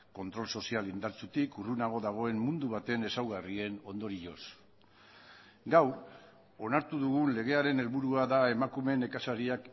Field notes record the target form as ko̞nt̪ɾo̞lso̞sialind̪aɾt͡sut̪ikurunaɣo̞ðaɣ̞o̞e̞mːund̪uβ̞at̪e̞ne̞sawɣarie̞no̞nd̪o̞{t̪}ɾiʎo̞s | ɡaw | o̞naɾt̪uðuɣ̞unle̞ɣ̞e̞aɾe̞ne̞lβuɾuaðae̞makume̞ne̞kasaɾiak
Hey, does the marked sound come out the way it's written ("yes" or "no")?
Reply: no